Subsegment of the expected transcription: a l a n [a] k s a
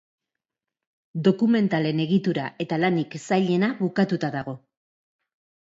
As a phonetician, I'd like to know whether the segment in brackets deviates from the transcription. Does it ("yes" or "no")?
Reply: yes